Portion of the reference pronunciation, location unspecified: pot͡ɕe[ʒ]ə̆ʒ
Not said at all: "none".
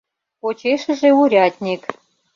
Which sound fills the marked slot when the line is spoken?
ʃ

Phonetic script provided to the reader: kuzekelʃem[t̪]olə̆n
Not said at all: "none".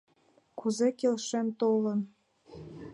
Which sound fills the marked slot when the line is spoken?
t̪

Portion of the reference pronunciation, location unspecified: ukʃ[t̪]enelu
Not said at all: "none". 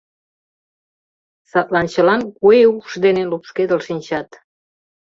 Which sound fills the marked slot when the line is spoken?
d̪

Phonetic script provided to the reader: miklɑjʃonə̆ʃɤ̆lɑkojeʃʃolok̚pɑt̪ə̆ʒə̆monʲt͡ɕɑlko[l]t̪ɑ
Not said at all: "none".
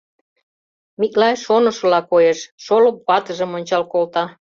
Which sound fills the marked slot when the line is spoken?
l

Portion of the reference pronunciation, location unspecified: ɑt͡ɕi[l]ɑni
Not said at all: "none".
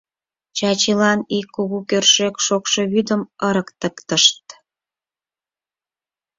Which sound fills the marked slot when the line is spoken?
l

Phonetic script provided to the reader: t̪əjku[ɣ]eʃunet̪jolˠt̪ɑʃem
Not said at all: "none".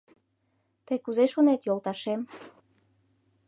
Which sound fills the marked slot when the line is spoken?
z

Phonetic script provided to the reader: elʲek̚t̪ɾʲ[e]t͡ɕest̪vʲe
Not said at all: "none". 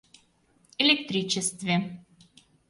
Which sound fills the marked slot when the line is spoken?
i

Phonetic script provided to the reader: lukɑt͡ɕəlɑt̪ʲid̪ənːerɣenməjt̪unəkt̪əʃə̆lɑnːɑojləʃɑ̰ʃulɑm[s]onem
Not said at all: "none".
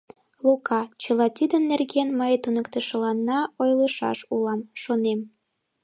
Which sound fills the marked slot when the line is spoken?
ʃ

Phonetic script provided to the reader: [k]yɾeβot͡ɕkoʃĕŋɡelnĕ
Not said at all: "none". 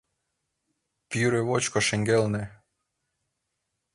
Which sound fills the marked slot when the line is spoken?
p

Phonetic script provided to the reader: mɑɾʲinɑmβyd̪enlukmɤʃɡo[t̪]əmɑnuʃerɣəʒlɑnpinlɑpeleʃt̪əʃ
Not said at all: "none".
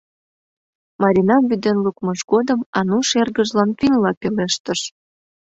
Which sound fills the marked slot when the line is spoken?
d̪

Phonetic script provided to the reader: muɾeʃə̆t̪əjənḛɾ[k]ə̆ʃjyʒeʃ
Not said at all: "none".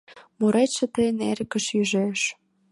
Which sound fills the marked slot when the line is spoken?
k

